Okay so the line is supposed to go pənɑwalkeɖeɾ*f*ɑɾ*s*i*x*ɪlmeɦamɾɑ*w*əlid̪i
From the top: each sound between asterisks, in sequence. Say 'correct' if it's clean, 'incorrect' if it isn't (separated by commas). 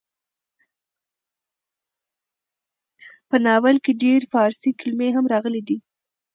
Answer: correct, correct, incorrect, incorrect